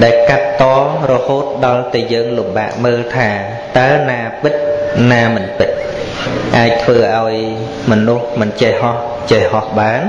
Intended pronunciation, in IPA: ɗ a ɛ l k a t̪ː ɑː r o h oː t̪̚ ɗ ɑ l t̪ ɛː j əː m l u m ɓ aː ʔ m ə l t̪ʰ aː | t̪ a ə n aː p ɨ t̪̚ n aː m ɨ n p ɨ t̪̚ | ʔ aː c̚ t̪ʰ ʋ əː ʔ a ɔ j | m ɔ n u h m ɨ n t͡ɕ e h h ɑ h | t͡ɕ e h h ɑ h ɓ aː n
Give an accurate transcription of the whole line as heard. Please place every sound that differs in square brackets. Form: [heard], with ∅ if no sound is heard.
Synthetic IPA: ɗ a ɛ l k a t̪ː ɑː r [ɔ] h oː t̪̚ ɗ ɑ l t̪ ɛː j əː [ŋ] l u m ɓ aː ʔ m [əː] l t̪ʰ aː | t̪ a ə n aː p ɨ t̪̚ n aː m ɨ n p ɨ t̪̚ | ʔ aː c̚ t̪ʰ ʋ əː ʔ a ɔ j | m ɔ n u h m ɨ n t͡ɕ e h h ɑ h | t͡ɕ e h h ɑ h ɓ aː n